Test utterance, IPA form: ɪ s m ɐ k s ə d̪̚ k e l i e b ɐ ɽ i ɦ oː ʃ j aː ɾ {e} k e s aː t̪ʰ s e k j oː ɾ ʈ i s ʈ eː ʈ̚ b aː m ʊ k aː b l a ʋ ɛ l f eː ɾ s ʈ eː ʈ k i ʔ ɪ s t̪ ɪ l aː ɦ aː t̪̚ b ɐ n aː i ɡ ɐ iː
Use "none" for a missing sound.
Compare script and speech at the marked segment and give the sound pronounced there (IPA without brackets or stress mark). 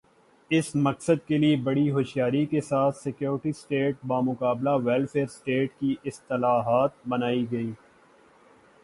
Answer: i